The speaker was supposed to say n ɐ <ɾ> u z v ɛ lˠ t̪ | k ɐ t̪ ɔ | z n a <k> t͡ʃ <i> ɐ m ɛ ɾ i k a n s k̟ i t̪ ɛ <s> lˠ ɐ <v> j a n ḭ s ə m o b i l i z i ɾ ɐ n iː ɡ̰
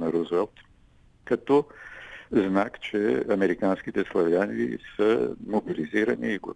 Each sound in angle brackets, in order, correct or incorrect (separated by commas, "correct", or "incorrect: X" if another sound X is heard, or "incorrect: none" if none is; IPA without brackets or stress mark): correct, correct, incorrect: ɛ, correct, correct